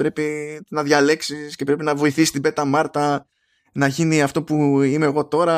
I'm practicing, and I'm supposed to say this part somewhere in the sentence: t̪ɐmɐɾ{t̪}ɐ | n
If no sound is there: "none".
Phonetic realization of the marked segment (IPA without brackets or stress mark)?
t̪